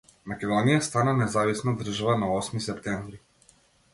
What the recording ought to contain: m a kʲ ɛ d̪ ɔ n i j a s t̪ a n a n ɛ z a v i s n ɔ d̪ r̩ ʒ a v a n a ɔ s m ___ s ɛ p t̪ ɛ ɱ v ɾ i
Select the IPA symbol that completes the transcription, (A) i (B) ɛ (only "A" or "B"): A